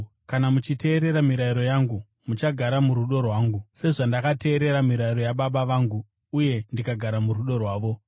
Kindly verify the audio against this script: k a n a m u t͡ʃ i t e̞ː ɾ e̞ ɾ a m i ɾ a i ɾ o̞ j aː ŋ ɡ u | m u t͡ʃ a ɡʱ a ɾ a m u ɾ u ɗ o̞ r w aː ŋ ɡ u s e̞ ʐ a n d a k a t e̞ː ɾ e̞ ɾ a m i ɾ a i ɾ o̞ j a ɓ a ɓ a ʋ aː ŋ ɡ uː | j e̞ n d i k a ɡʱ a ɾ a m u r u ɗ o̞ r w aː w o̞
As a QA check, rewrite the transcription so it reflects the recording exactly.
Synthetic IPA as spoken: k a n a m u t͡ʃ i t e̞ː ɾ e̞ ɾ a m i ɾ a i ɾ o̞ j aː ŋ ɡ u | m u t͡ʃ a ɡʱ a ɾ a m u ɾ u ɗ o̞ r w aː ŋ ɡ u s e̞ ʐ a n d a k a t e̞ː ɾ e̞ ɾ a m i ɾ a i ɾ o̞ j a ɓ a ɓ a ʋ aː ŋ ɡ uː | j e̞ n d i k a ɡʱ a ɾ a m u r u ɗ o̞ r w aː ʋ o̞